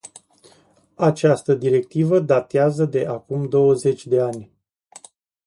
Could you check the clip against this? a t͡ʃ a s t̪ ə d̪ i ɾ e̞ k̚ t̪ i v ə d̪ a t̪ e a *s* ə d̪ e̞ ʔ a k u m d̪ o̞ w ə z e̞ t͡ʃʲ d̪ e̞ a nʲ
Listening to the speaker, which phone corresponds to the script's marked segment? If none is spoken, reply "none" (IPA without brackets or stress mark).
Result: z